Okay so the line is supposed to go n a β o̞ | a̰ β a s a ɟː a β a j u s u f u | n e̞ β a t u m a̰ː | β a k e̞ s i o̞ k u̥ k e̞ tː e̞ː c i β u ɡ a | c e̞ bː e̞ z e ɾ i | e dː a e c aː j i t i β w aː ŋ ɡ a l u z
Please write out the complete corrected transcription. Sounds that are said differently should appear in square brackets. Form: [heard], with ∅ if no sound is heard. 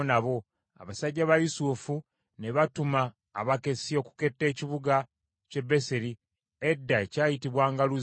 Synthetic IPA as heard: n a β o̞ | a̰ β a s a ɟː a β a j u s u f u | n e̞ β a t u m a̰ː | β a k e̞ s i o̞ k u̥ k e̞ tː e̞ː c i β u ɡ a | c e̞ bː e̞ [s] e ɾ i | e dː a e c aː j i t i β w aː ŋ ɡ a l u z